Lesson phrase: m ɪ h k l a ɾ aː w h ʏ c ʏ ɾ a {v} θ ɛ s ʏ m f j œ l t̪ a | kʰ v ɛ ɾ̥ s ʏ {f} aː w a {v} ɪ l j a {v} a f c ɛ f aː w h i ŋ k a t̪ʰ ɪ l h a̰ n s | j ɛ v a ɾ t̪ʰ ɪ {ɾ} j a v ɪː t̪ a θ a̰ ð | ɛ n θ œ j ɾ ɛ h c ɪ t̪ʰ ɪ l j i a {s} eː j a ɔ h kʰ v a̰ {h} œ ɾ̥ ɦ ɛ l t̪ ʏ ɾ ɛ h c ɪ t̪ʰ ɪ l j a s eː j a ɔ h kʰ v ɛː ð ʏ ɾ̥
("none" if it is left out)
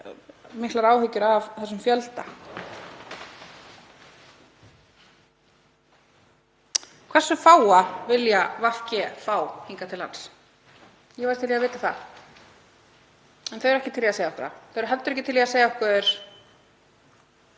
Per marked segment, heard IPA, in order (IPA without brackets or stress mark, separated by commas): v, f, v, v, l, s, θ